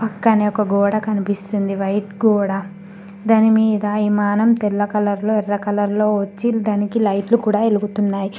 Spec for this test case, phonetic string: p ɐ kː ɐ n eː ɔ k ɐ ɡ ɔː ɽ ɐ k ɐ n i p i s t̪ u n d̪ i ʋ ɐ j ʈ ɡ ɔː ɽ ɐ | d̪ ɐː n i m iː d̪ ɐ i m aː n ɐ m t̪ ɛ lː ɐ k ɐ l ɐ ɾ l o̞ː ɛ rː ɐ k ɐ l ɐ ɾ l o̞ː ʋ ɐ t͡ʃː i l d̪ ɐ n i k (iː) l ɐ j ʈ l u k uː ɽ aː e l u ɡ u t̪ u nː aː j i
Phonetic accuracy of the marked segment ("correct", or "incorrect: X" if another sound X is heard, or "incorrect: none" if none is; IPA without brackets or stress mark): incorrect: i